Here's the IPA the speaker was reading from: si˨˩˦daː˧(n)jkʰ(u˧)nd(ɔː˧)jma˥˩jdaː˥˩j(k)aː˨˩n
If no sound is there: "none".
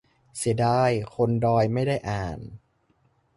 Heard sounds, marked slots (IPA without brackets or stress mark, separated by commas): none, o˧, ɔː˧, ʔ